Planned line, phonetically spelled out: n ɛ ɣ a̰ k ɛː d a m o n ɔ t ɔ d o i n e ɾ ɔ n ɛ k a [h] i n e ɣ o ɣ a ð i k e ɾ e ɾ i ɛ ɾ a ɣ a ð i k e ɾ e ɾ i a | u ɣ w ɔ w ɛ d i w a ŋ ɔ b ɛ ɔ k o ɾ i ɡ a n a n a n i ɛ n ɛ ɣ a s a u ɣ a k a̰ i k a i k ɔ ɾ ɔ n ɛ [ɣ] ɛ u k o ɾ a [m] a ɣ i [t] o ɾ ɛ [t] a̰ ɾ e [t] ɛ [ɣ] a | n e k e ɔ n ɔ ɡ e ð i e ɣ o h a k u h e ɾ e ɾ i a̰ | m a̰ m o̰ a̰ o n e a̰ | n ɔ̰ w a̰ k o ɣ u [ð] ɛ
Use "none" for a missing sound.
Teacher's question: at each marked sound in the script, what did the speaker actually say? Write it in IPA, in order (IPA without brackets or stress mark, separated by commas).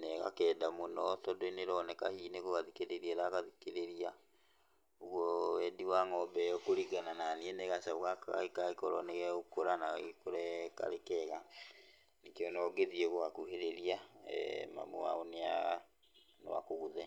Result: h, ɣ, n, k, k, k, ɣ, ð